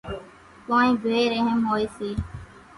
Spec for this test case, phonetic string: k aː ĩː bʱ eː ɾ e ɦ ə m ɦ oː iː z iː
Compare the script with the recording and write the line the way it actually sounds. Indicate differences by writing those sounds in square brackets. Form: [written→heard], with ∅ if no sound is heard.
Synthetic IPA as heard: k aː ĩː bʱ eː ɾ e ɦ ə m ɦ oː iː [z→s] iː